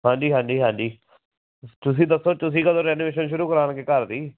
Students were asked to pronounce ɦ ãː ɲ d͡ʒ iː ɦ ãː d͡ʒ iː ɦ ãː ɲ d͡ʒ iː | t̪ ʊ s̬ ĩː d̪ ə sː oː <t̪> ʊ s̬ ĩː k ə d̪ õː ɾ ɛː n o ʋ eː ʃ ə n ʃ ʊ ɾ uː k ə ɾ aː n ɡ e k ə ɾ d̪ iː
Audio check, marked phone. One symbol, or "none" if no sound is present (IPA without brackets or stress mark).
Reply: t̪